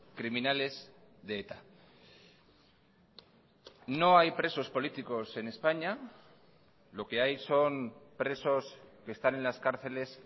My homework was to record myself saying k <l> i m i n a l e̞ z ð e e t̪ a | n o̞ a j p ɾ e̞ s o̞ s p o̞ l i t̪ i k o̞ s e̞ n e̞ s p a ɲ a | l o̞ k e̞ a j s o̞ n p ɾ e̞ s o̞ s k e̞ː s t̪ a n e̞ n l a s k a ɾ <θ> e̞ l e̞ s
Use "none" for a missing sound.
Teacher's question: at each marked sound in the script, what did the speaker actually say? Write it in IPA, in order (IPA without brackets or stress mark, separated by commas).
ɾ, θ